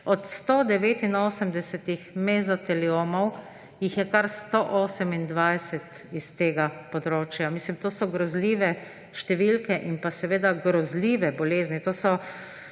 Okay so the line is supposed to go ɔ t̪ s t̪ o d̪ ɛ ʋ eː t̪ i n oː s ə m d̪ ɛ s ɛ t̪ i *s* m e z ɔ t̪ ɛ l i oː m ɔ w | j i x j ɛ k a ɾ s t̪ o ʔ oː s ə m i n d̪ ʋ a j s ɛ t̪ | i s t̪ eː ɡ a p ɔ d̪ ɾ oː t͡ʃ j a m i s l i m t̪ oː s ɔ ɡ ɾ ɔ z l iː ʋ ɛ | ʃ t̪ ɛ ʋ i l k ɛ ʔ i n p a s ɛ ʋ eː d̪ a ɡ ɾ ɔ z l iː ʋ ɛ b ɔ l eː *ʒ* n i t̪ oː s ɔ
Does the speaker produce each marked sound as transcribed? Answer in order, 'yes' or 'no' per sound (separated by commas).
no, no